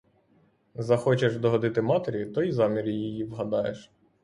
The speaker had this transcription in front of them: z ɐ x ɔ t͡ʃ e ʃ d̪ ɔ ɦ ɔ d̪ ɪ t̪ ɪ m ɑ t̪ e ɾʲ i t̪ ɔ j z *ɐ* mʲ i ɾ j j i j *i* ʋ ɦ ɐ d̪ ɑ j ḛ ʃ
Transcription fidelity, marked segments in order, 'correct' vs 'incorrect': incorrect: ɑ, correct

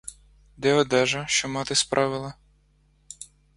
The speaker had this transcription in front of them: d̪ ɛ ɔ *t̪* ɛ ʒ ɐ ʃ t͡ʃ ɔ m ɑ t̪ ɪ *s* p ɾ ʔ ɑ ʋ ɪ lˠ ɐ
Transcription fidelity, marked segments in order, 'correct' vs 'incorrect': incorrect: d̪, correct

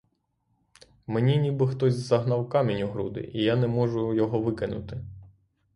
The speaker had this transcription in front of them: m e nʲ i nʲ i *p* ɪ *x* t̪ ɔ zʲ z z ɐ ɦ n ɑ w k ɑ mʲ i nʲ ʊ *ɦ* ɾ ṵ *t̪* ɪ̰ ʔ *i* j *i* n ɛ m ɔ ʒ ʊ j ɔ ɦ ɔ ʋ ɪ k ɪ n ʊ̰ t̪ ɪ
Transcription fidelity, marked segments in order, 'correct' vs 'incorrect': incorrect: b, correct, correct, incorrect: d̪, correct, incorrect: a

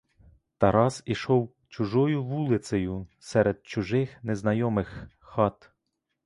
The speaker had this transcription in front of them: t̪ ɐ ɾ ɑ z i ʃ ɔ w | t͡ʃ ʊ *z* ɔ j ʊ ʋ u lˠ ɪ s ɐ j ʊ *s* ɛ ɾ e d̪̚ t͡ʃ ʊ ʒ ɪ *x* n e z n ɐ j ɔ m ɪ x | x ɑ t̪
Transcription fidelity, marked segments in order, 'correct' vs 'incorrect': incorrect: ʒ, correct, correct

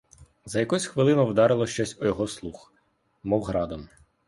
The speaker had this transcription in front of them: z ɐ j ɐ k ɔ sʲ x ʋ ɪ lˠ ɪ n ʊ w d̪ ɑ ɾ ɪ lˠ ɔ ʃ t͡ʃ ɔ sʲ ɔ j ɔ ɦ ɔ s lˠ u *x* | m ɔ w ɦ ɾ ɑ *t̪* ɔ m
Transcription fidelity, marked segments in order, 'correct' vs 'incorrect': correct, incorrect: d̪

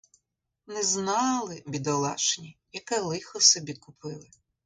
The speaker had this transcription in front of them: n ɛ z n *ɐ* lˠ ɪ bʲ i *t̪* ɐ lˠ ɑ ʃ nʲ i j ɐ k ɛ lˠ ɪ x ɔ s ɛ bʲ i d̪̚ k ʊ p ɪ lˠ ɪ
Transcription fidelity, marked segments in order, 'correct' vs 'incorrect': incorrect: ɑ, incorrect: d̪

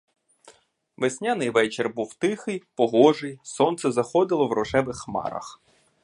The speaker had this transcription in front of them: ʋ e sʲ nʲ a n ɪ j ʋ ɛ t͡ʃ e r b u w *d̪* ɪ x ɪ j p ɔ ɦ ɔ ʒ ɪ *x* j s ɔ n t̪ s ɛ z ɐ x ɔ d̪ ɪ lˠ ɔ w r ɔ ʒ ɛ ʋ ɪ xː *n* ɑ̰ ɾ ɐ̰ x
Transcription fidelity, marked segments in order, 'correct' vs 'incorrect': incorrect: t̪, incorrect: none, incorrect: m

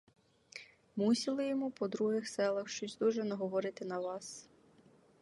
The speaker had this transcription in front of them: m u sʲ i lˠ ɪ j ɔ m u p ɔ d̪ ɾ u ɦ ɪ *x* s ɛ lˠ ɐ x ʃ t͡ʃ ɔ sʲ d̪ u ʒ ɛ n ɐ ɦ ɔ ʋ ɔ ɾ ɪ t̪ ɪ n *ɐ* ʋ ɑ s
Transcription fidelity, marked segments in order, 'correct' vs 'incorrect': correct, correct

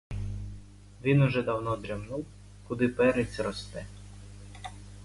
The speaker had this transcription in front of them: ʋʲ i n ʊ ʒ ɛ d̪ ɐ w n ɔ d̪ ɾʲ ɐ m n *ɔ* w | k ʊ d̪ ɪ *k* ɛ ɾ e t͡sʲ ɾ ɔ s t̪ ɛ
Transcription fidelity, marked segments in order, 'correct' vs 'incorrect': incorrect: u, incorrect: p

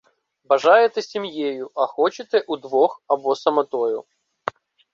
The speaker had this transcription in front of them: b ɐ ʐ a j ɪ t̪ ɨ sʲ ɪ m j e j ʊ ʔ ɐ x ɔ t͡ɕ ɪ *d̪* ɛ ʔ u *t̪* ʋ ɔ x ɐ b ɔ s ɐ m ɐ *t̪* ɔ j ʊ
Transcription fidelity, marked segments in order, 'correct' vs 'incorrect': incorrect: t̪, incorrect: d̪, correct

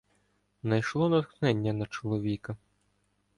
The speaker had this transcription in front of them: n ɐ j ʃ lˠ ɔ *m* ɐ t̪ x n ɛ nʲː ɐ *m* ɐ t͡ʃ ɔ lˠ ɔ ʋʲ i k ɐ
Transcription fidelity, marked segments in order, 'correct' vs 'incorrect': incorrect: n, incorrect: n

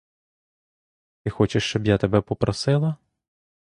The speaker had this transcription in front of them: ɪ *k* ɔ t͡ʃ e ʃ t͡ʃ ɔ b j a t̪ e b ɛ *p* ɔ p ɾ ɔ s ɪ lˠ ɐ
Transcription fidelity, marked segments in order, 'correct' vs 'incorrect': incorrect: x, correct

